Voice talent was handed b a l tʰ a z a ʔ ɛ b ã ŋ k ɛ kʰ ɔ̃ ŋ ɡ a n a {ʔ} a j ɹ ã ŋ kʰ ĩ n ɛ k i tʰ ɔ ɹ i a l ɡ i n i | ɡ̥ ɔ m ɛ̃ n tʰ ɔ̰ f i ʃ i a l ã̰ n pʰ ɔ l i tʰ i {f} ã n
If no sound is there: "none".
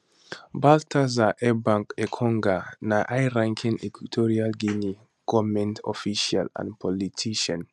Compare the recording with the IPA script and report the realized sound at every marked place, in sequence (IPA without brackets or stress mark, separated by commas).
ʔ, ʃ